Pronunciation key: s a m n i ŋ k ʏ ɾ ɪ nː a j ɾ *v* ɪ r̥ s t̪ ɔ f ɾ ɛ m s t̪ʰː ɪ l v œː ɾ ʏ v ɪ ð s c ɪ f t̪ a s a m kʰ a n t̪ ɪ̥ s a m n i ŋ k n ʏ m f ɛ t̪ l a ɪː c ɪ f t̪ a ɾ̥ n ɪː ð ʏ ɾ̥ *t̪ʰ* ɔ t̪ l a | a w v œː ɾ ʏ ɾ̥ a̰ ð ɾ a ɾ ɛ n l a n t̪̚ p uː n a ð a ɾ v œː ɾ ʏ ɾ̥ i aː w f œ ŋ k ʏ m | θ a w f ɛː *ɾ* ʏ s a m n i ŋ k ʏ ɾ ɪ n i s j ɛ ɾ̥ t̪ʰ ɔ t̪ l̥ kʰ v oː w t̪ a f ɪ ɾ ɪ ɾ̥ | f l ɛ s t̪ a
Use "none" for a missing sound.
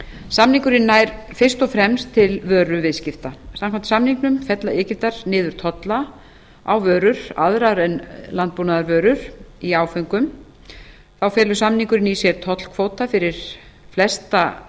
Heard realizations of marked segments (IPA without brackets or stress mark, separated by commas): f, t̪ʰ, l